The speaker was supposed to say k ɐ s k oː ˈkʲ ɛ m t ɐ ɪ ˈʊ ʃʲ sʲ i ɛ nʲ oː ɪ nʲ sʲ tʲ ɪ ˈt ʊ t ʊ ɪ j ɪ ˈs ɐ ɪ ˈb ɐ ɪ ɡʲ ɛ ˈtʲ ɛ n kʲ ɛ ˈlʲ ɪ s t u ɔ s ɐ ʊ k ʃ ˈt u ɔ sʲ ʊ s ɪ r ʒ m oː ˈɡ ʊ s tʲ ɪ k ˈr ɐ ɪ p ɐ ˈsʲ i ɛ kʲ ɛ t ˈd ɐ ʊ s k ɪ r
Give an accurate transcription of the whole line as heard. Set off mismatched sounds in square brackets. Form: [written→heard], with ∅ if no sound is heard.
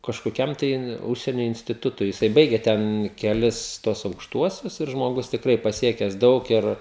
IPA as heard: k ɐ [s→ʃ] k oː ˈkʲ ɛ m t ɐ ɪ ˈʊ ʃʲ sʲ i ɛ nʲ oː ɪ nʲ sʲ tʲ ɪ ˈt ʊ t ʊ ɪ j ɪ ˈs ɐ ɪ ˈb ɐ ɪ ɡʲ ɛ ˈtʲ ɛ n kʲ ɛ ˈlʲ ɪ s t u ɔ s ɐ ʊ k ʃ ˈt u ɔ sʲ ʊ s ɪ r ʒ m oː ˈɡ ʊ s tʲ ɪ k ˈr ɐ ɪ p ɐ ˈsʲ i ɛ kʲ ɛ [t→s] ˈd ɐ ʊ [s→∅] k ɪ r